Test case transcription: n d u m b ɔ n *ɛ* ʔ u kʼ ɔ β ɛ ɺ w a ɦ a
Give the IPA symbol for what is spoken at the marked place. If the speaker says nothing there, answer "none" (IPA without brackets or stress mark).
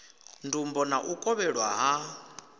a